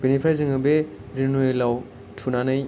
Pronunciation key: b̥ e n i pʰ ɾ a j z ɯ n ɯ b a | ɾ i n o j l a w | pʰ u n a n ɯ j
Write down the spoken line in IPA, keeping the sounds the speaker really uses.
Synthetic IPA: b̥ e n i pʰ ɾ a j z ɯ ŋ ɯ b e | ɾ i n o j l a w | tʰ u n a n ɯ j